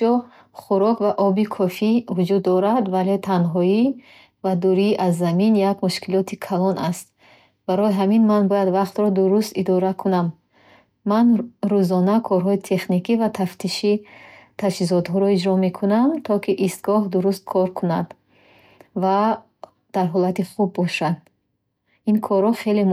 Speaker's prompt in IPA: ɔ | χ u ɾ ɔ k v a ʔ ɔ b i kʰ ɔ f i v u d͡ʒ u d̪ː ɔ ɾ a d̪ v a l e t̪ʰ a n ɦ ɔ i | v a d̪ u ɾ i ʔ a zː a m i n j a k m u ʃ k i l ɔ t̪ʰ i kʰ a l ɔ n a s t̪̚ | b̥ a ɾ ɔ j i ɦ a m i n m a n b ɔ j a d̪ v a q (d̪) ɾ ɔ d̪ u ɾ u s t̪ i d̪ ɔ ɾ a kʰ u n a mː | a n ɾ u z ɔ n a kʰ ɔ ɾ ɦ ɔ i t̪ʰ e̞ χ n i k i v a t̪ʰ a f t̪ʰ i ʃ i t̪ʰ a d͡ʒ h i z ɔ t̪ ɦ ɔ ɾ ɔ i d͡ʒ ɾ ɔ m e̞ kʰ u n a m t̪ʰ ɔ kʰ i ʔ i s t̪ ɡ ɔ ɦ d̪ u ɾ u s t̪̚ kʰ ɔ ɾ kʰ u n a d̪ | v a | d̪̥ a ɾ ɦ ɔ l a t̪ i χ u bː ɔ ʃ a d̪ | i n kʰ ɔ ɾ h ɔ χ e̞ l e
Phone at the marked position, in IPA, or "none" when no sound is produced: t̪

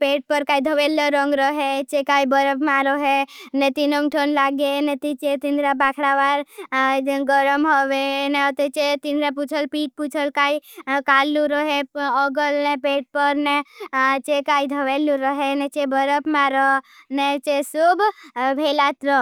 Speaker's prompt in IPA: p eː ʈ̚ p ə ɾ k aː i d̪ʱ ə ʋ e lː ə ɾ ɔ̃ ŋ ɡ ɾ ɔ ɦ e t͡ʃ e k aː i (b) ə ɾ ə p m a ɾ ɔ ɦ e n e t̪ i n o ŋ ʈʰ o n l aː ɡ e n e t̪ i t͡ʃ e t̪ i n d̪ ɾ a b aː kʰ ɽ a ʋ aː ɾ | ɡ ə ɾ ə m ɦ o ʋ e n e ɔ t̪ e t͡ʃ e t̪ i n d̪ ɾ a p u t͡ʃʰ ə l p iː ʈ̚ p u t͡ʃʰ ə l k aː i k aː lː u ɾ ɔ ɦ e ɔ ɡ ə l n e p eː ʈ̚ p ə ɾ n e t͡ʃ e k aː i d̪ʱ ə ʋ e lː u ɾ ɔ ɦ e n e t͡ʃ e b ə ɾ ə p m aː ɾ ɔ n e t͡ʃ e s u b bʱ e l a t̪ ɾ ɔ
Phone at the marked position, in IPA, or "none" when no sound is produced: b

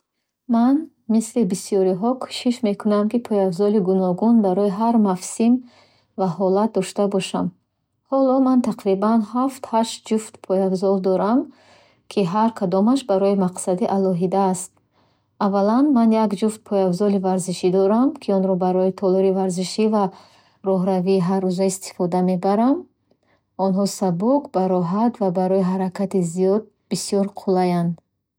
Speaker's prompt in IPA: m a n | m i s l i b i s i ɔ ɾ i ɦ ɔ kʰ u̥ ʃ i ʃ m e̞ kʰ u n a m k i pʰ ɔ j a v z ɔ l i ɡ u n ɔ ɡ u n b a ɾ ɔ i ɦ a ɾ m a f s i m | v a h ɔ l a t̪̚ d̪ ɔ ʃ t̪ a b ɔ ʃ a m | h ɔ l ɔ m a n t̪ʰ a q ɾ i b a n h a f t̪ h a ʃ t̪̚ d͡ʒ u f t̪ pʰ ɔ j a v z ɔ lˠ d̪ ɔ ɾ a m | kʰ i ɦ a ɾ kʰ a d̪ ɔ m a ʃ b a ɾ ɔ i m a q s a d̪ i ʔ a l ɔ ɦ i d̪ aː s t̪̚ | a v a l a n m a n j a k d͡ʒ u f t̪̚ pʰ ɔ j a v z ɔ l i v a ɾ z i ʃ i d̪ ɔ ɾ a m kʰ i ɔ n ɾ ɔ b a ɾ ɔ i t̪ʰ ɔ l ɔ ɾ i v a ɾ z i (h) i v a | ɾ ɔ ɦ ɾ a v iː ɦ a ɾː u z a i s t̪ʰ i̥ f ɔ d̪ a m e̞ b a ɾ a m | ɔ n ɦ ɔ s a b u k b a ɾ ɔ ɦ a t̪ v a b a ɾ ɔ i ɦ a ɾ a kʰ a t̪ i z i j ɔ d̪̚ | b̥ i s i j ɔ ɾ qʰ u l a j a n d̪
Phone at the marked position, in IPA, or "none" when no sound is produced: ʃ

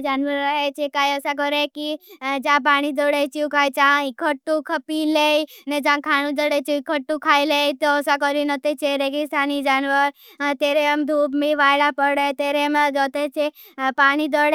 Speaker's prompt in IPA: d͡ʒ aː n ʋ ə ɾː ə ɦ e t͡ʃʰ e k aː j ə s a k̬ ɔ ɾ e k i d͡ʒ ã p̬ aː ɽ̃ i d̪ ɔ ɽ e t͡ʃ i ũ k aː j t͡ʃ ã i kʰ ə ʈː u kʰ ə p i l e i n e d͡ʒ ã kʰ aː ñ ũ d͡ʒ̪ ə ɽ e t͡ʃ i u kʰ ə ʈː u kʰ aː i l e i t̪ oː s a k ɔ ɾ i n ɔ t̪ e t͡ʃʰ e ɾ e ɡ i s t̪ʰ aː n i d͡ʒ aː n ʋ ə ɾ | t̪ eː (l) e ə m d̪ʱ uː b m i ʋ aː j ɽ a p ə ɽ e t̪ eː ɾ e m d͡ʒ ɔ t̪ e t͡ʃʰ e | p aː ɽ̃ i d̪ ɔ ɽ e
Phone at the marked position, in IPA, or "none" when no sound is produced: ɾ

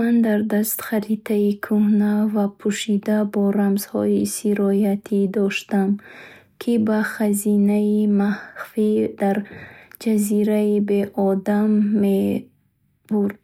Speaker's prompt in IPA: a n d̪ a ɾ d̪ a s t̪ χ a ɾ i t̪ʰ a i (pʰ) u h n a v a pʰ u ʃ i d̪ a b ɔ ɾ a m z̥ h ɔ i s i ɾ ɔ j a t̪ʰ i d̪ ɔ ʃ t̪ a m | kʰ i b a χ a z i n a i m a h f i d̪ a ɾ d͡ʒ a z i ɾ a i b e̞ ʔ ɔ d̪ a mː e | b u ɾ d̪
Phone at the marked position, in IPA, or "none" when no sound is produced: kʰ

